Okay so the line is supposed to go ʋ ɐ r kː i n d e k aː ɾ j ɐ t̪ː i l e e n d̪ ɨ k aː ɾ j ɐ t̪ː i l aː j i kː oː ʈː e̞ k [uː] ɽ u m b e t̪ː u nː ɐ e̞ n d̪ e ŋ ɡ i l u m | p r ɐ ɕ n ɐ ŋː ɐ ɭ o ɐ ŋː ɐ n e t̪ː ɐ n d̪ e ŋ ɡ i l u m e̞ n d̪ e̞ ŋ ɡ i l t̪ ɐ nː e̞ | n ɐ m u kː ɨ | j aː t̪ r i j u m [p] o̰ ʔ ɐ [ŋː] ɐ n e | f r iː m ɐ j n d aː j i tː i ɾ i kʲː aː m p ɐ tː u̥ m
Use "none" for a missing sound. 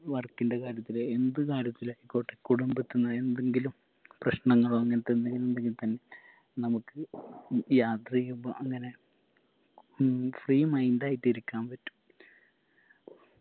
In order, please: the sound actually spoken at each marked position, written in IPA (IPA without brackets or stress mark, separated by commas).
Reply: u, b, ŋː